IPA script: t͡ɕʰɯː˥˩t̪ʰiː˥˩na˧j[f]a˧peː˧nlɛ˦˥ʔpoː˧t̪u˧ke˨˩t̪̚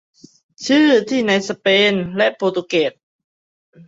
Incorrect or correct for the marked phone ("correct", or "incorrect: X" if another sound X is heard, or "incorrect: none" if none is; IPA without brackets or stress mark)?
incorrect: s